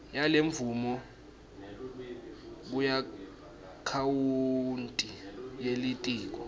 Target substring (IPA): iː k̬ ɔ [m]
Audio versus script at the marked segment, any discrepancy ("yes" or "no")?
yes